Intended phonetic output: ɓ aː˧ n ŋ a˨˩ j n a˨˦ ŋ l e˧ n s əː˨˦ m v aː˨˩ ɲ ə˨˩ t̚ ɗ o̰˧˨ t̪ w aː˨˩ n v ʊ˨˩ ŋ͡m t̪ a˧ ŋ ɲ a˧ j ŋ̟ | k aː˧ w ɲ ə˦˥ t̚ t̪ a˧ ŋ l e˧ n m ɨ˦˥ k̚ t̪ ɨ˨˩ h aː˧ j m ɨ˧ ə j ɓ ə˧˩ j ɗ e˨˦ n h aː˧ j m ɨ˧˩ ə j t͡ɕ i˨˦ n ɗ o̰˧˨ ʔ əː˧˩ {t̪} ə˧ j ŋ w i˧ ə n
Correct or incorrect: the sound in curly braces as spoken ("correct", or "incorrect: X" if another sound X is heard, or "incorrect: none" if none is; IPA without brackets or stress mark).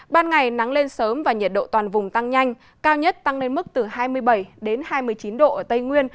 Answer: correct